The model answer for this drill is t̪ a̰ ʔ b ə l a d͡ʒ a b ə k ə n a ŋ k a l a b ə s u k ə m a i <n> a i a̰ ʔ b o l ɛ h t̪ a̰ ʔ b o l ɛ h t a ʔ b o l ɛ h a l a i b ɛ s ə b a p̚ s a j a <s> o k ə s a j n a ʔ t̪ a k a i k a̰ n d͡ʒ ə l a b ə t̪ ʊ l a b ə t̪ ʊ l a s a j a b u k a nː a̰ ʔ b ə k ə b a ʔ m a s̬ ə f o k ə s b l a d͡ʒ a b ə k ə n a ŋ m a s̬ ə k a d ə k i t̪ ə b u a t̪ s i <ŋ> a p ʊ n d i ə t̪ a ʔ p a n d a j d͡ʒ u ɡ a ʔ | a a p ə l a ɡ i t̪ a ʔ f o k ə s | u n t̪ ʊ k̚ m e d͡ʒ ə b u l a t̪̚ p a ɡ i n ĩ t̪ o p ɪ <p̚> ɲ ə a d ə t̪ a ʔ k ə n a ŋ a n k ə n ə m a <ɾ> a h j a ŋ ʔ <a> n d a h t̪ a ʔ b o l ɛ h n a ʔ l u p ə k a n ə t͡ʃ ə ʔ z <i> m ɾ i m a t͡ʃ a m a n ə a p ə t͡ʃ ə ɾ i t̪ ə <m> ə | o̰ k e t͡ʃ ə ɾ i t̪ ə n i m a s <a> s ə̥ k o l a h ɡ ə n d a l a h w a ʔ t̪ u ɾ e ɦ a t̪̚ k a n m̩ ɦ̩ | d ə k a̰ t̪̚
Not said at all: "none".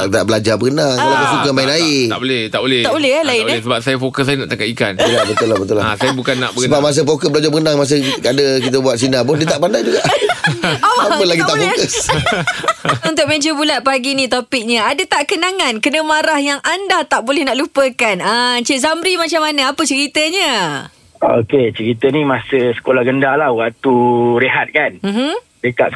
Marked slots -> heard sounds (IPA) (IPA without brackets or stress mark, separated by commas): n, f, n, k̚, ɾ, a, a, ɲ, ə